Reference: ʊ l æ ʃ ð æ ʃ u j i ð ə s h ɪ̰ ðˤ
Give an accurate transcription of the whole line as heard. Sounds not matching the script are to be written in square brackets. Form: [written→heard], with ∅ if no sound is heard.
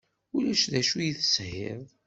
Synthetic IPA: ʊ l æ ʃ ð æ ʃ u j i [ð→θ] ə s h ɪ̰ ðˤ

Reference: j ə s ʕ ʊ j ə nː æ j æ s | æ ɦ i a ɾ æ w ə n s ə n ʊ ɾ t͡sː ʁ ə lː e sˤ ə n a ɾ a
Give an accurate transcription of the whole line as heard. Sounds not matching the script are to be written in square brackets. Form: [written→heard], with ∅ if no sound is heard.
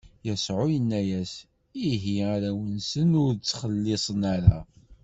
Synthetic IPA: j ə s ʕ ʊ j ə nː æ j æ s | [æ→i] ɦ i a ɾ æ w ə n s ə n ʊ ɾ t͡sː [ʁ→χ] ə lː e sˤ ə n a ɾ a

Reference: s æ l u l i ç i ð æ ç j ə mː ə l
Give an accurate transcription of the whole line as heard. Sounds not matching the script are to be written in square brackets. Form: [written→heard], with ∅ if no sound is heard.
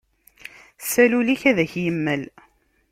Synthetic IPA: s æ l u l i ç [i→æ] ð æ ç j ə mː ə l

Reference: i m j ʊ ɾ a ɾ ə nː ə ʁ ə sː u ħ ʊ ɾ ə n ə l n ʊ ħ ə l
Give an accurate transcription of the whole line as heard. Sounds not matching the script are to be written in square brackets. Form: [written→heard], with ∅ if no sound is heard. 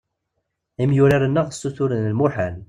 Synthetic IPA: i m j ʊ ɾ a ɾ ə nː ə ʁ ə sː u [ħ→θ] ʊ ɾ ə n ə l [n→m] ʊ ħ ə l

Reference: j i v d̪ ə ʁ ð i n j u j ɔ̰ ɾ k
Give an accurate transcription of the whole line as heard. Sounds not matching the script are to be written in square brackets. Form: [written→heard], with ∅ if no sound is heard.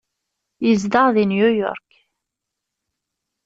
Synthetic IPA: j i [v→z] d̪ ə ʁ ð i n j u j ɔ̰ ɾ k

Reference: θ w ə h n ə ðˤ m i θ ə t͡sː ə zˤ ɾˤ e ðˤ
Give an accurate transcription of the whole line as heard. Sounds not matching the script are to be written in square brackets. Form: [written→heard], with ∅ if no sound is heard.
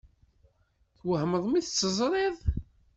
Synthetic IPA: θ w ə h [n→m] ə ðˤ m i θ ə t͡sː ə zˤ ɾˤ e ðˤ

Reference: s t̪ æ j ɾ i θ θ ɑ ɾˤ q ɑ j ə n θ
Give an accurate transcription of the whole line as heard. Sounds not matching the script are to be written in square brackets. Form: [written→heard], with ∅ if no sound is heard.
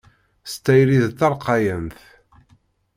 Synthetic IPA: s t̪ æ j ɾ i [θ→ð] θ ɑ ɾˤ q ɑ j ə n θ

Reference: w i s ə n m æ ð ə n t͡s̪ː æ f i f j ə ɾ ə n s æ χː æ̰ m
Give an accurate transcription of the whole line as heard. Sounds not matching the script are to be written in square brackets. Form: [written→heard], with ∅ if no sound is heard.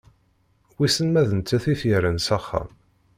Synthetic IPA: w i s ə n m æ ð ə n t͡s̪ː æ [f→θ] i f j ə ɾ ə n s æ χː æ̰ m

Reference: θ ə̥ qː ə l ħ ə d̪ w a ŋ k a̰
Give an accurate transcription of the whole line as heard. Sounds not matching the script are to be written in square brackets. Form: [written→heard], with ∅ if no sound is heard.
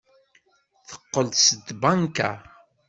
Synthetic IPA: θ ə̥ qː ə l [ħ→s] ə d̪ [w→b] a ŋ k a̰

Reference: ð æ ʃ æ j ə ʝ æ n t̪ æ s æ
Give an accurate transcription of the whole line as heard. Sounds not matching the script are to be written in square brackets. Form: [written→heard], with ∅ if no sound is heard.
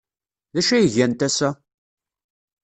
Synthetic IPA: ð æ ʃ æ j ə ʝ æ n t̪ æ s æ

